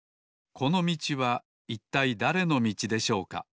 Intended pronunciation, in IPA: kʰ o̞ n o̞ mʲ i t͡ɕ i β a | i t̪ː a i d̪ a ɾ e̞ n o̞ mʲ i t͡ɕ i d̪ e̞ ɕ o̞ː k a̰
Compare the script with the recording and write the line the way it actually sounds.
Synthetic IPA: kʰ o̞ n o̞ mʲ i t͡ɕ i β a | i t̪ː a i d̪ a ɾ e̞ n o̞ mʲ i t͡ɕ i d̪ e̞ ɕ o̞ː k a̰